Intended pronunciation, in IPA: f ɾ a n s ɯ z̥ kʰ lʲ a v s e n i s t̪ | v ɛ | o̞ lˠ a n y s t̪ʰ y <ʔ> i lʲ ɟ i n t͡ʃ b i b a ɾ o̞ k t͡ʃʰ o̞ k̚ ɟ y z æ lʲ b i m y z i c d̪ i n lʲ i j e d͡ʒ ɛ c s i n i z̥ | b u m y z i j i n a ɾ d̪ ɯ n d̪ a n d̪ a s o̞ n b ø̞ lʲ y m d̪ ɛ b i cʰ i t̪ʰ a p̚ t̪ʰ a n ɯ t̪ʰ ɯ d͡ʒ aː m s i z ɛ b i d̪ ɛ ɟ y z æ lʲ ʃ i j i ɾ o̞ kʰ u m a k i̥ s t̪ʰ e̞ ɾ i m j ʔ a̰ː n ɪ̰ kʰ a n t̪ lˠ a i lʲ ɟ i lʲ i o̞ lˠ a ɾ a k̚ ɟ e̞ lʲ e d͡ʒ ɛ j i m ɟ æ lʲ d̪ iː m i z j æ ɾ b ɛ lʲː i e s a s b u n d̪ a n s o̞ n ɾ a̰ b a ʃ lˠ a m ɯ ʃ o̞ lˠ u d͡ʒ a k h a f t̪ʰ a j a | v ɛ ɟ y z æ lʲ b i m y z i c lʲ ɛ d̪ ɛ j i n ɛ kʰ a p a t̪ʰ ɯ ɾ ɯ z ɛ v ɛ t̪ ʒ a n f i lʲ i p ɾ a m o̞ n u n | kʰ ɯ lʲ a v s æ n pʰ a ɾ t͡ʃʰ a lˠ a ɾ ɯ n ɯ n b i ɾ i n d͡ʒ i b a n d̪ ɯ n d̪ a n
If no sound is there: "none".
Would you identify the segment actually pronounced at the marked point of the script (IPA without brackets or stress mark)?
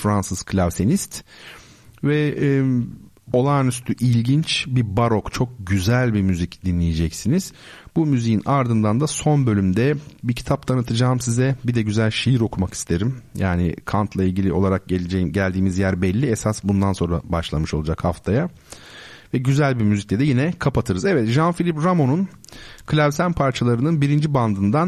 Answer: ʔ